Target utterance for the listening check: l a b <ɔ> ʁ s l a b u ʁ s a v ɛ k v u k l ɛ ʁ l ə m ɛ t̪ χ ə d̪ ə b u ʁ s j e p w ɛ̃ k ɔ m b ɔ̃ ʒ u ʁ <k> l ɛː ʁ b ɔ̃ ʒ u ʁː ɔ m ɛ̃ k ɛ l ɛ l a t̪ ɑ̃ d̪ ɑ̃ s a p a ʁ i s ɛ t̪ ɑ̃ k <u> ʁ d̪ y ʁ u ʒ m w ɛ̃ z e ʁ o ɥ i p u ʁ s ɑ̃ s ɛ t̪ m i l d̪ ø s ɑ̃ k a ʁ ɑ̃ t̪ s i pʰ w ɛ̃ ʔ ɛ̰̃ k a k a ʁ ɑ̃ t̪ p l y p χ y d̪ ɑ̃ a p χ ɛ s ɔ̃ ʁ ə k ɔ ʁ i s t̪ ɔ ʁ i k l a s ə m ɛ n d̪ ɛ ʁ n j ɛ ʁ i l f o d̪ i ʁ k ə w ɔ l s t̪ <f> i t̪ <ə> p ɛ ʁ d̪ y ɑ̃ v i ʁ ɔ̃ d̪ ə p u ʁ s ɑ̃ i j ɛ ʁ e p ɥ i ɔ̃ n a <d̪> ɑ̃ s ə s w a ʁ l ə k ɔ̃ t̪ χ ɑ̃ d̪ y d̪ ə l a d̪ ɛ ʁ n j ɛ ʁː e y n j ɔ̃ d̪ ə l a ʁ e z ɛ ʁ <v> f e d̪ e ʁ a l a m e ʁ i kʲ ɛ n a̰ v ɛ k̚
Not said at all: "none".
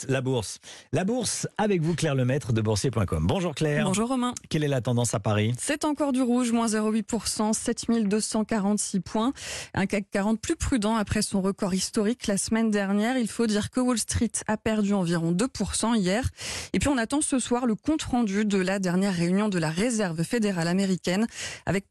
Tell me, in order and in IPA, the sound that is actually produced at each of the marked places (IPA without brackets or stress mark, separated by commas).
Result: u, k, ɔ, χ, a, t̪, v